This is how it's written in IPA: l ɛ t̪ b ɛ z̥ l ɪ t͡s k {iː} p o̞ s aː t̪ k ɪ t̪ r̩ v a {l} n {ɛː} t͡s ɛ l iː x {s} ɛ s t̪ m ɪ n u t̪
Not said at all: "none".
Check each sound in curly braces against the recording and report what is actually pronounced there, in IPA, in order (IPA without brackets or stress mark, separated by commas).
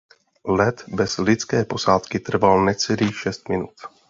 ɛː, l, ɛ, ʃ